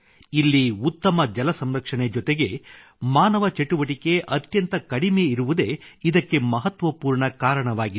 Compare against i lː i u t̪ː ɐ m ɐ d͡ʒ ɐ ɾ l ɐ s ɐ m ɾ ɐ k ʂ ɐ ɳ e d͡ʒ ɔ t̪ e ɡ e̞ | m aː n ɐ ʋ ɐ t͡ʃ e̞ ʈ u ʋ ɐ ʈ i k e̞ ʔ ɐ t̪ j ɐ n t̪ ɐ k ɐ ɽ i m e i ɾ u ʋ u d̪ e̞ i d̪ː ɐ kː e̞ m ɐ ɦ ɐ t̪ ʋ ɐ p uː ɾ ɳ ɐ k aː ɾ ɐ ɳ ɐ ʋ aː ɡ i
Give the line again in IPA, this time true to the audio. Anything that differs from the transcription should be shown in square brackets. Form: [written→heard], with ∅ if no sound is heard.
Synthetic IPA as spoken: i lː i u t̪ː ɐ m ɐ d͡ʒ ɐ [ɾ→∅] l ɐ s ɐ m ɾ ɐ k ʂ ɐ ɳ e d͡ʒ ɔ t̪ e ɡ e̞ | m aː n ɐ ʋ ɐ t͡ʃ e̞ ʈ u ʋ ɐ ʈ i k e̞ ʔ ɐ t̪ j ɐ n t̪ ɐ k ɐ ɽ i m e i ɾ u ʋ u d̪ e̞ i [d̪ː→d̪] ɐ kː e̞ m ɐ ɦ ɐ t̪ ʋ ɐ p uː ɾ ɳ ɐ k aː ɾ ɐ ɳ ɐ ʋ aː ɡ i

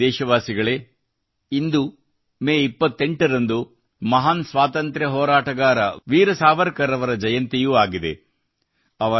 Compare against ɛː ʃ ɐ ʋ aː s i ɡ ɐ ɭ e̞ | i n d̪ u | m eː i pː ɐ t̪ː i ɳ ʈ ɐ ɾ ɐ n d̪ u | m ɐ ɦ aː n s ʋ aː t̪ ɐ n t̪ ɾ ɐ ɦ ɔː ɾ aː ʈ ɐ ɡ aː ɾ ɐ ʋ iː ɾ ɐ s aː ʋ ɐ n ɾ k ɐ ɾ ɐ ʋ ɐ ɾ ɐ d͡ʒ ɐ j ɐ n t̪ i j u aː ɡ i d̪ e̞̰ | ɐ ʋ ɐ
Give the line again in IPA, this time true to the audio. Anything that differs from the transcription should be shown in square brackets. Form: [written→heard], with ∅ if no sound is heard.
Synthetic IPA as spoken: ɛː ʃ ɐ ʋ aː s i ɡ ɐ ɭ e̞ | i n d̪ u | m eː i pː ɐ t̪ː [i→e] ɳ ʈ ɐ ɾ ɐ n d̪ u | m ɐ ɦ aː n s ʋ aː t̪ ɐ n t̪ ɾ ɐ ɦ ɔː ɾ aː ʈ ɐ ɡ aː ɾ ɐ ʋ iː ɾ ɐ s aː ʋ ɐ [n→∅] ɾ k ɐ ɾ ɐ ʋ ɐ ɾ ɐ d͡ʒ ɐ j ɐ n t̪ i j u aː ɡ i d̪ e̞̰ | ɐ ʋ ɐ

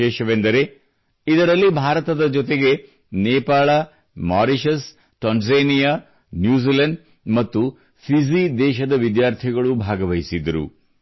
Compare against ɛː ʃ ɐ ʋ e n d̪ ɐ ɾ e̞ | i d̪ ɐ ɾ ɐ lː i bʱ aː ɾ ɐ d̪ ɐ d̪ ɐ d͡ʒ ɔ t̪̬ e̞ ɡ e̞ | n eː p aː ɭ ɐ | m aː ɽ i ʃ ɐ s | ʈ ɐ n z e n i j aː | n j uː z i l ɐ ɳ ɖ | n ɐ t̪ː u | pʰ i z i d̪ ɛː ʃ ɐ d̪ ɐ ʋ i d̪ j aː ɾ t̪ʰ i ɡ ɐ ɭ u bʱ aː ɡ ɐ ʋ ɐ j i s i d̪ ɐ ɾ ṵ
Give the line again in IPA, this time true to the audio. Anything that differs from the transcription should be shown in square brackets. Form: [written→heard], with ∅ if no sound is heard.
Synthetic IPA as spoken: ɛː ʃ ɐ ʋ e n d̪ ɐ ɾ e̞ | i d̪ ɐ ɾ ɐ lː i bʱ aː ɾ ɐ [d̪→t̪] ɐ d̪ ɐ d͡ʒ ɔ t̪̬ e̞ ɡ e̞ | n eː p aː ɭ ɐ | m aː [ɽ→ɾ] i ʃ ɐ s | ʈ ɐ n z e n i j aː | n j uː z i l ɐ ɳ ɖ | [n→m] ɐ t̪ː u | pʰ i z i d̪ ɛː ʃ ɐ d̪ ɐ ʋ i d̪ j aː ɾ t̪ʰ i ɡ ɐ ɭ u bʱ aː ɡ ɐ ʋ ɐ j i s i d̪ ɐ ɾ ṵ

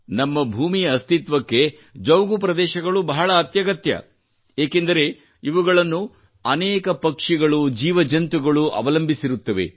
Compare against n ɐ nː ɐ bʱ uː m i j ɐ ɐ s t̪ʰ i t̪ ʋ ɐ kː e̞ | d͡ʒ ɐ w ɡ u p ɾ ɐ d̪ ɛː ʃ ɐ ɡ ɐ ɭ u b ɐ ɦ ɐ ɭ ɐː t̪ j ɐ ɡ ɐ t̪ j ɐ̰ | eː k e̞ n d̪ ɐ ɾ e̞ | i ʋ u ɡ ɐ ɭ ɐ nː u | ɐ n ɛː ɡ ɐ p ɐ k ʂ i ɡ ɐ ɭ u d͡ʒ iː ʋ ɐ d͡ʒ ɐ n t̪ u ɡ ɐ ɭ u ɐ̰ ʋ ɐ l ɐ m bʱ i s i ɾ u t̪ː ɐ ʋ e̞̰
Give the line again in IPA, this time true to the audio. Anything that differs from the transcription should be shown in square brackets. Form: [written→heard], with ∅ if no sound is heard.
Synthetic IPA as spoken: n ɐ [nː→mː] ɐ bʱ uː m i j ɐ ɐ s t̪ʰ i t̪ ʋ ɐ kː e̞ | d͡ʒ ɐ w ɡ u p ɾ ɐ d̪ ɛː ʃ ɐ ɡ ɐ ɭ u b ɐ ɦ ɐ ɭ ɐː t̪ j ɐ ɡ ɐ t̪ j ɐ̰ | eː k e̞ n d̪ ɐ ɾ e̞ | i ʋ u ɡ ɐ ɭ ɐ nː u | ɐ n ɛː [ɡ→k] ɐ p ɐ k ʂ i ɡ ɐ ɭ u d͡ʒ iː ʋ ɐ d͡ʒ ɐ n t̪ u ɡ ɐ ɭ u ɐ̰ ʋ ɐ l ɐ m bʱ i s i ɾ u t̪ː ɐ ʋ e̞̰

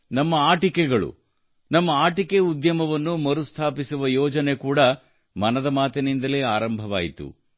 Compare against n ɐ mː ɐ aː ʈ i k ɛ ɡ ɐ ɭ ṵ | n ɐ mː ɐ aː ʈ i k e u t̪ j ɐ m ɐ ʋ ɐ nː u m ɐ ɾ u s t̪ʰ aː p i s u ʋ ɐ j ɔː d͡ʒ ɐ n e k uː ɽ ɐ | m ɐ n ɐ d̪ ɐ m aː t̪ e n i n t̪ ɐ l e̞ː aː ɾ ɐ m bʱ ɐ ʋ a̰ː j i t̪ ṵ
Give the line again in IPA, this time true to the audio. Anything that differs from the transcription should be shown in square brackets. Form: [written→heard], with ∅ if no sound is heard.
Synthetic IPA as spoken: n ɐ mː ɐ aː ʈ i k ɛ ɡ ɐ ɭ ṵ | n ɐ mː ɐ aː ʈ i k e u [t̪→d̪] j ɐ m ɐ ʋ ɐ nː u m ɐ ɾ u s t̪ʰ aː p i s u ʋ ɐ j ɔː d͡ʒ ɐ n e k uː ɽ ɐ | m ɐ n ɐ d̪ ɐ m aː t̪ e n i n [t̪→d̪] ɐ l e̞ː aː ɾ ɐ m bʱ ɐ ʋ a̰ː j i t̪ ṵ

